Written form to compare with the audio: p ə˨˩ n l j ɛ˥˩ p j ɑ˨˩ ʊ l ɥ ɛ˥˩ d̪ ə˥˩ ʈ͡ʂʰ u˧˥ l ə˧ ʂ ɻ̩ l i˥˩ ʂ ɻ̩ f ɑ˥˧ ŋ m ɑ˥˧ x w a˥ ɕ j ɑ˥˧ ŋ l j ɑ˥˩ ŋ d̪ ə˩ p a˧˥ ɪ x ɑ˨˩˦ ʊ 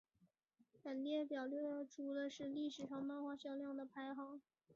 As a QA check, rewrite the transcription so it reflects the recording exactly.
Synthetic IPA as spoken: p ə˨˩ n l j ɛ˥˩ p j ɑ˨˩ ʊ l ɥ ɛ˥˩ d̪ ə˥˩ ʈ͡ʂʰ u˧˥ l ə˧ ʂ ɻ̩ l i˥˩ ʂ ɻ̩ ʂ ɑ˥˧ ŋ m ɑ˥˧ x w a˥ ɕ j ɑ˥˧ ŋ l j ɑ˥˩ ŋ d̪ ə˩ pʰ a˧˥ ɪ x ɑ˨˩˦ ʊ

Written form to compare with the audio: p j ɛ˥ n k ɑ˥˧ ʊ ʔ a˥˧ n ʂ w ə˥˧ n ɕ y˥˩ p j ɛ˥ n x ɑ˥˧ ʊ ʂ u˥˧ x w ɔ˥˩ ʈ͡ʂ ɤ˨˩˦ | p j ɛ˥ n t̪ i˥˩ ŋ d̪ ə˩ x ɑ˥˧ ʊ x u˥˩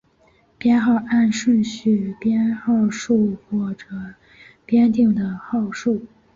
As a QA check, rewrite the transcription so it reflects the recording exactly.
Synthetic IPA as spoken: p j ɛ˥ n x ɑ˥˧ ʊ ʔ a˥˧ n ʂ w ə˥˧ n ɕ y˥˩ p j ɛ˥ n x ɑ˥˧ ʊ ʂ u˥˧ x w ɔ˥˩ ʈ͡ʂ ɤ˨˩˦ | p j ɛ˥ n t̪ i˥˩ ŋ d̪ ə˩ x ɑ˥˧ ʊ ʂ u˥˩

